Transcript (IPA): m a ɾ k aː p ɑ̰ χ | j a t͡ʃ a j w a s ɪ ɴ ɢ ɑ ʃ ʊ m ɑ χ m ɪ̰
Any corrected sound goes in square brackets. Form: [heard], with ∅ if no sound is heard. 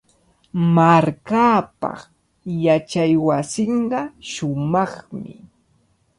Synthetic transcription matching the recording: m a ɾ k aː p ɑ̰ χ | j a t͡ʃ a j w a s ɪ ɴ ɢ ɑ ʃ ʊ m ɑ χ m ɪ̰